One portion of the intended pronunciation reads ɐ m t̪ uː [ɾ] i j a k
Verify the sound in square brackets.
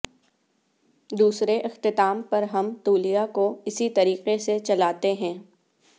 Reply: incorrect: l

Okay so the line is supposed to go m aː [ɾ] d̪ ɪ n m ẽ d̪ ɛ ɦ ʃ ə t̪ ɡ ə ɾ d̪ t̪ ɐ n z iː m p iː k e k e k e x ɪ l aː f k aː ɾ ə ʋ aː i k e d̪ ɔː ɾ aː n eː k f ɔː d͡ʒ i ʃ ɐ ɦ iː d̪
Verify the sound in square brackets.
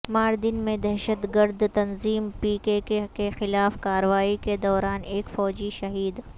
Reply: correct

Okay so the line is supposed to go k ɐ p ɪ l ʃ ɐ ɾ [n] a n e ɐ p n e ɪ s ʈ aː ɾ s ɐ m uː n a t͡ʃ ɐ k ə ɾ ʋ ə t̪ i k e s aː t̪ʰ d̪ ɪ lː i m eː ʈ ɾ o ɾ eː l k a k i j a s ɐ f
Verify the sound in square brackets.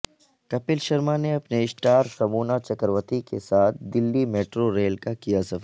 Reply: incorrect: m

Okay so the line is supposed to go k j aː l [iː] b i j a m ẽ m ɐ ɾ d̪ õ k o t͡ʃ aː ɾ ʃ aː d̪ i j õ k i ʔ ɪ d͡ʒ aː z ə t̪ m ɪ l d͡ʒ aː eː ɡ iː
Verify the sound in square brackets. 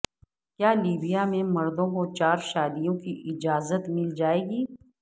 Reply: correct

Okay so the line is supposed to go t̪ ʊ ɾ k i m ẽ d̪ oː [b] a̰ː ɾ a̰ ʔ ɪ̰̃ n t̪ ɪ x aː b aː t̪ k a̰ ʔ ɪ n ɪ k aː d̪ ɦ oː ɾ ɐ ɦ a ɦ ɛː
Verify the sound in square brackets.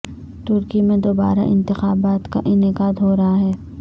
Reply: correct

